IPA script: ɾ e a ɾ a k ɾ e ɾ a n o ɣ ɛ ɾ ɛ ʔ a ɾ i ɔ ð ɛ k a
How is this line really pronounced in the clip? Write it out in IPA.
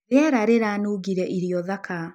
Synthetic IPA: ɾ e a ɾ a ɾ e ɾ a n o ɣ i ɾ ɛ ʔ i ɾ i ɔ ð a k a